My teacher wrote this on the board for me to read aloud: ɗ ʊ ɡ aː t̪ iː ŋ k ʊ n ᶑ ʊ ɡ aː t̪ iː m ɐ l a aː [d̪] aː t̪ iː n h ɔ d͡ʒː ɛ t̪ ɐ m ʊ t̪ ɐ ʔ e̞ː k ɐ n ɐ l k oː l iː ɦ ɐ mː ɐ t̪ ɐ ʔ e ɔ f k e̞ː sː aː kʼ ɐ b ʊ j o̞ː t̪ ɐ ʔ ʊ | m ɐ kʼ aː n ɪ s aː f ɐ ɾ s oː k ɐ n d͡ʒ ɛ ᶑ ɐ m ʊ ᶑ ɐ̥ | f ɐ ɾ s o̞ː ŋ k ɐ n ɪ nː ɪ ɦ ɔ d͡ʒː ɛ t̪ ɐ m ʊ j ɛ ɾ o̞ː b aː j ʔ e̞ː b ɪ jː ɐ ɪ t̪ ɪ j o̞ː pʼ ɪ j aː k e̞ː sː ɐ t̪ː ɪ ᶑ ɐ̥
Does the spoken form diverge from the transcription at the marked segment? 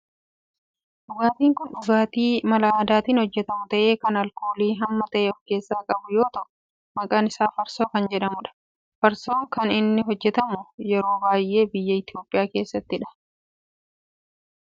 no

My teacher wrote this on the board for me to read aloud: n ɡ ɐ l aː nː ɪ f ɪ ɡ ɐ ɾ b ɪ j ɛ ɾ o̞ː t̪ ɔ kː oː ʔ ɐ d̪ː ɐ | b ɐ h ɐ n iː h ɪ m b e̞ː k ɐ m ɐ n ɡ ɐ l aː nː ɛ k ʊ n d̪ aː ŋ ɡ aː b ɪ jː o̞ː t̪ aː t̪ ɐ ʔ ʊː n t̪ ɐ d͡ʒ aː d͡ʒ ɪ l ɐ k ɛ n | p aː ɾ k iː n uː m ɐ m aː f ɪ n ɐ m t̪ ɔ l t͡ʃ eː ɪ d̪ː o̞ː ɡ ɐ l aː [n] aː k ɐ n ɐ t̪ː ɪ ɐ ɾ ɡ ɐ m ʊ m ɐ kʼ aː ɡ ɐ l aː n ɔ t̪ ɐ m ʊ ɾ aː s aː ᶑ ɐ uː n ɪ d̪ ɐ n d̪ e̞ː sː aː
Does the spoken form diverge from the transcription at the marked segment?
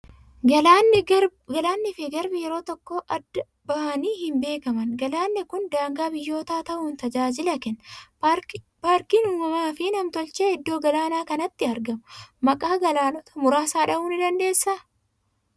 no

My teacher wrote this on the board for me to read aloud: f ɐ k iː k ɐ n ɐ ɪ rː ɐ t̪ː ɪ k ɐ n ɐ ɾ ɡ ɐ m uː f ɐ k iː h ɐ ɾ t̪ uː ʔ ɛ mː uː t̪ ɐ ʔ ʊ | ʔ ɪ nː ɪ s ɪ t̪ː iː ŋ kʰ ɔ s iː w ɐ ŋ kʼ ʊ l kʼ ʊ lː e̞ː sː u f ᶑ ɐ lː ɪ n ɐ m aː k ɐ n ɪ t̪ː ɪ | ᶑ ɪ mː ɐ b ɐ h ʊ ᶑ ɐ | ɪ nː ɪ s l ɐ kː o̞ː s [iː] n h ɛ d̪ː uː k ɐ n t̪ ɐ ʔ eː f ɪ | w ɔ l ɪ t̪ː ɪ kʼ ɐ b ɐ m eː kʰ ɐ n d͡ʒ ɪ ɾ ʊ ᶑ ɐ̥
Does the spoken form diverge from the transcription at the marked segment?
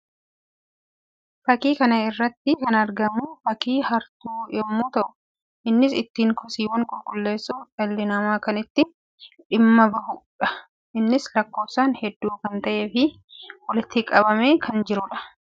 yes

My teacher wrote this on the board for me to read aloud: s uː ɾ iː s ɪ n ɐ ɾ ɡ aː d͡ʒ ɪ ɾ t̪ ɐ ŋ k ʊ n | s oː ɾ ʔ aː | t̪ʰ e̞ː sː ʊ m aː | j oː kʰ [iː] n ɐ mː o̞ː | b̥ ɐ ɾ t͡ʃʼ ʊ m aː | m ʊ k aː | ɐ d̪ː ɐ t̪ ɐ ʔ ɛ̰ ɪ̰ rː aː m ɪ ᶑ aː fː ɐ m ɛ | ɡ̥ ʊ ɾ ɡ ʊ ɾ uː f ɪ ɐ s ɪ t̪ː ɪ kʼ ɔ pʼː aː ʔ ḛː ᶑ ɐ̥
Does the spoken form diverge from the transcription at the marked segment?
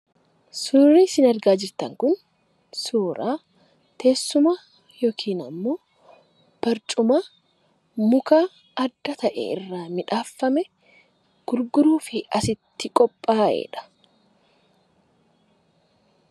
no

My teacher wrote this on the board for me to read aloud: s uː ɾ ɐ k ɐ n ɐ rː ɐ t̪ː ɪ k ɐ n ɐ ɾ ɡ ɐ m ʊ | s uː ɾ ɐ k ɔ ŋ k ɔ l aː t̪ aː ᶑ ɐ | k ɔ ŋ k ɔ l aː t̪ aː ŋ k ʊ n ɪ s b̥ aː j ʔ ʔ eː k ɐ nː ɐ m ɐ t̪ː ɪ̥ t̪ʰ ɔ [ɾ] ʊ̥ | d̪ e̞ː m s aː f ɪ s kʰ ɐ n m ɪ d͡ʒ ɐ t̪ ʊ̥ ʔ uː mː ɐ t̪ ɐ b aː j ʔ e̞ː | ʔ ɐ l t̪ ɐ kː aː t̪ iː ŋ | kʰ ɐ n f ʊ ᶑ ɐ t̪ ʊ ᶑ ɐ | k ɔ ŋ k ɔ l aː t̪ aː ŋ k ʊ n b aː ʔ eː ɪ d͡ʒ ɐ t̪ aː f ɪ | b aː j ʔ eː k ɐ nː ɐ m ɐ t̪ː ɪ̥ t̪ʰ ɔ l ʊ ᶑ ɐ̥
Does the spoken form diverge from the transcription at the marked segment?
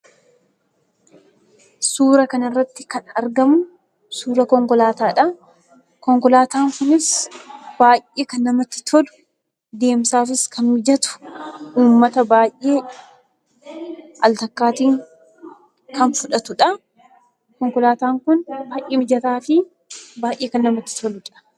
yes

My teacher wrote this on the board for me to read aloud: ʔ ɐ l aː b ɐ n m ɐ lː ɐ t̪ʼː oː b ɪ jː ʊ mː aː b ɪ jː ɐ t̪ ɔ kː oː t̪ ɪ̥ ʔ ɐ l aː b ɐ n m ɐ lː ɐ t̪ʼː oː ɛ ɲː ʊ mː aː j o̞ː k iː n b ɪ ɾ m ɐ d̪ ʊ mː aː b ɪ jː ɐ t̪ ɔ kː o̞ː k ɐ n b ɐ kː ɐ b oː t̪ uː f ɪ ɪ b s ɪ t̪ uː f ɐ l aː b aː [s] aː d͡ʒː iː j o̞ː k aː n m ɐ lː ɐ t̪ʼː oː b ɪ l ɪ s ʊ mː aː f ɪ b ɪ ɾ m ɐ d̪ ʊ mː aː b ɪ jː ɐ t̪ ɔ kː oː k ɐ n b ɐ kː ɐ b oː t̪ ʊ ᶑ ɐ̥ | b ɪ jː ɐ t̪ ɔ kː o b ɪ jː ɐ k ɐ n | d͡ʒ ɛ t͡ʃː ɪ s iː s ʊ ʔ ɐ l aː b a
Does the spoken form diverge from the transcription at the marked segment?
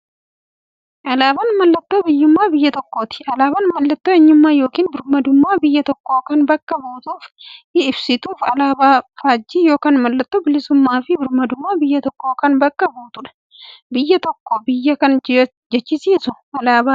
yes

